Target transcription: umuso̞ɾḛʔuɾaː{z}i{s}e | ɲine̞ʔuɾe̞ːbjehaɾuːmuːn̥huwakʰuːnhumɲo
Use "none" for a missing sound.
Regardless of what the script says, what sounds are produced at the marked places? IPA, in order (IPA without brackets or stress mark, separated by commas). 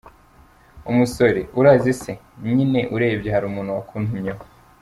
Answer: z, s